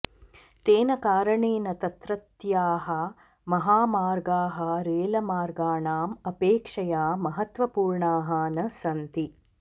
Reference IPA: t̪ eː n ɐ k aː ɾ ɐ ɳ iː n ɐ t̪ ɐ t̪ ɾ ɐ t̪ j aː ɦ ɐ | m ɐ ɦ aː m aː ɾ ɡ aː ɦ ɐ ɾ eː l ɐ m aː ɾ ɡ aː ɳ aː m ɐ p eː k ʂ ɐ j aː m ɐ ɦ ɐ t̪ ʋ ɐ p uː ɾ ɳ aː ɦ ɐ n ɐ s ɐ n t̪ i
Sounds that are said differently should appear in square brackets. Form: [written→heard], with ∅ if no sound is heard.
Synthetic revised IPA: t̪ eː n ɐ k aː ɾ ɐ ɳ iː n ɐ t̪ ɐ t̪ ɾ ɐ t̪ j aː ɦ ɐ | m ɐ ɦ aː m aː ɾ ɡ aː ɦ ɐ ɾ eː l ɐ m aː ɾ ɡ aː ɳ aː m ɐ p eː k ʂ ɐ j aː m ɐ ɦ ɐ t̪ ʋ ɐ p uː ɾ ɳ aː ɦ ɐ n ɐ s ɐ n t̪ i